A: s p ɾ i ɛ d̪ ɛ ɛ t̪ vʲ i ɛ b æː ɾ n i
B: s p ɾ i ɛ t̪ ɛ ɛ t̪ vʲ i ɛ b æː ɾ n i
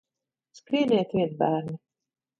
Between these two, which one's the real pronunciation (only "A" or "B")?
A